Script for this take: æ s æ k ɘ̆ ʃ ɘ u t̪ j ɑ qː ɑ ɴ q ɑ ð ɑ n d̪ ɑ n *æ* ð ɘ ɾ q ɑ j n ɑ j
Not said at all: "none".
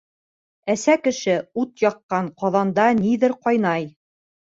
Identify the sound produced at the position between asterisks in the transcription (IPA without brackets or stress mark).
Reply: i